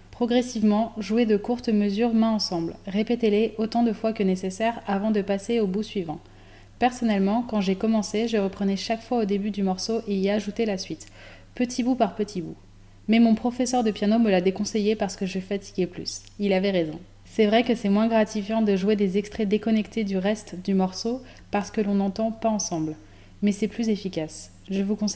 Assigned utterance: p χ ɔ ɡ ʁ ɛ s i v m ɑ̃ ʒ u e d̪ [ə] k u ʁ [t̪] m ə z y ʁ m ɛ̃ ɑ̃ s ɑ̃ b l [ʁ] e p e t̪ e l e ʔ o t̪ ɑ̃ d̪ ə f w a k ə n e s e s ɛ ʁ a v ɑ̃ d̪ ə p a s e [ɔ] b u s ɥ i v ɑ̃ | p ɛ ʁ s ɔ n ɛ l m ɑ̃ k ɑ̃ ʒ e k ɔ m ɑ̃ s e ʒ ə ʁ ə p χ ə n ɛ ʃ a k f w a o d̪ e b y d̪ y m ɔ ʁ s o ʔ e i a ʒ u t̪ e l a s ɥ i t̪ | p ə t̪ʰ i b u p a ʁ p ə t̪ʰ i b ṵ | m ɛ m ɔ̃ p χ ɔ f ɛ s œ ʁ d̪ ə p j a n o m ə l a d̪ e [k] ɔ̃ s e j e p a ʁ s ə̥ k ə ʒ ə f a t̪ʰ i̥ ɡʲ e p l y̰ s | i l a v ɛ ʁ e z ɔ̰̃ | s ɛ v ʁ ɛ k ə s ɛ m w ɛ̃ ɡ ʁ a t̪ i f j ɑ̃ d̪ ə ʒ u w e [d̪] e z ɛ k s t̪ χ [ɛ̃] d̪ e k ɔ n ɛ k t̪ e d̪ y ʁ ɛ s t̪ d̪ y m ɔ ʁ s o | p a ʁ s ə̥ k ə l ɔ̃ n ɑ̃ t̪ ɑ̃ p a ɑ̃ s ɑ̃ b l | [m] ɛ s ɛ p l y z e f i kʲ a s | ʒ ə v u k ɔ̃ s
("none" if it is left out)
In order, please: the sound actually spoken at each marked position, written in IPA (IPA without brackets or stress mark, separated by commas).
ə, t̪, ʁ, o, k, d̪, ɛ, m